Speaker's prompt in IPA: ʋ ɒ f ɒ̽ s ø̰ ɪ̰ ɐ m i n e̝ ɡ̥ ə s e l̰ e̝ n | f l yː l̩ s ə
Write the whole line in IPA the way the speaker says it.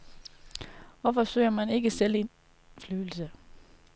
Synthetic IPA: ʋ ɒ f ɒ̽ s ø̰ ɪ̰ ɐ m æ n e̝ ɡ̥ ə s e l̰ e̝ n | f l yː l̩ s ə